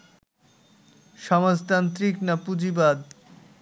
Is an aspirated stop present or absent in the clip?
absent